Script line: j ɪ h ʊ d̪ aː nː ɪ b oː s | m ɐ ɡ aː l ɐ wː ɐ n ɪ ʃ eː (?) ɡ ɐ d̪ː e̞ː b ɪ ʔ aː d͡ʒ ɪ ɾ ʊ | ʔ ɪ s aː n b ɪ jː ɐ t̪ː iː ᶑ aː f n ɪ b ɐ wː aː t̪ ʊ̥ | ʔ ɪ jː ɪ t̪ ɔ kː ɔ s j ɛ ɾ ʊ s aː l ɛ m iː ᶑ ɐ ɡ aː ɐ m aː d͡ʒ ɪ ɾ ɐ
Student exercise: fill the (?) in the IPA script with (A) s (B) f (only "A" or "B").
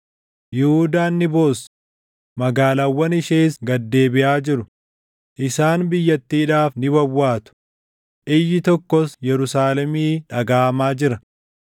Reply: A